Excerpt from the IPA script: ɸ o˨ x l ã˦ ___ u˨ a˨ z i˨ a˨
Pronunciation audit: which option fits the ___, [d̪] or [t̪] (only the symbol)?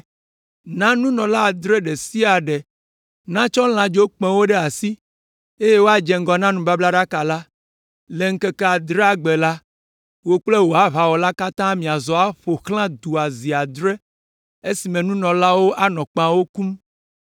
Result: d̪